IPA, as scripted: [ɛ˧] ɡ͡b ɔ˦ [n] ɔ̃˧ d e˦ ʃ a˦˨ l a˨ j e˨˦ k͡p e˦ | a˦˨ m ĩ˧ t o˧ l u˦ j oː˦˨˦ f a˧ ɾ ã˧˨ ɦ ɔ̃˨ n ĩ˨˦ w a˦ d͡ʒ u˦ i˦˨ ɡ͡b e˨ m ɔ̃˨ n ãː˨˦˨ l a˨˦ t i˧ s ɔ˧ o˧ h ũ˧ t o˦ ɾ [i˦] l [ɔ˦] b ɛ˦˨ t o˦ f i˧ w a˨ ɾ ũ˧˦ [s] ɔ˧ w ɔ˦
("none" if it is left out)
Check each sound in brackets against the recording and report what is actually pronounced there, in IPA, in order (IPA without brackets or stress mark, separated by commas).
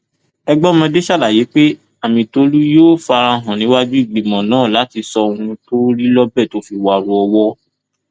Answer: ɛ˧, m, i˦, ɔ˦, none